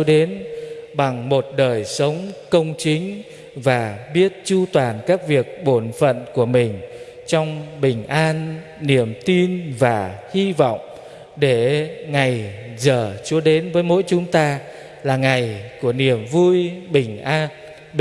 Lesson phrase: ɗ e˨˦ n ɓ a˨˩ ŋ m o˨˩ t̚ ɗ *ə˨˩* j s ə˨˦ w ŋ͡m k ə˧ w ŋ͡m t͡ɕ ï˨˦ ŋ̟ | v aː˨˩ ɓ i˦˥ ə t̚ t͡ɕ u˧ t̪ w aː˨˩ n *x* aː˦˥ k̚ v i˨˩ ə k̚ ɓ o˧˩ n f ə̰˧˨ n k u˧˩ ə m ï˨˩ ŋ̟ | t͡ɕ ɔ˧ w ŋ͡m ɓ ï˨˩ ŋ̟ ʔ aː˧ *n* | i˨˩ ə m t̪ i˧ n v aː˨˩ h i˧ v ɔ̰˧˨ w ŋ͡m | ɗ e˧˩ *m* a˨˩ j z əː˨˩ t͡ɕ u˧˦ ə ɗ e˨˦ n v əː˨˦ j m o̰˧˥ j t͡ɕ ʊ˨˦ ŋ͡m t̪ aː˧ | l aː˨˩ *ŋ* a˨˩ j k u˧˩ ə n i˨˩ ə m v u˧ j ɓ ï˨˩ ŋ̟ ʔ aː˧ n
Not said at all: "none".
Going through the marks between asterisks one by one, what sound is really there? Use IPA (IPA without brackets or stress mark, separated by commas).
əː˨˩, k, nː, ŋ, ŋ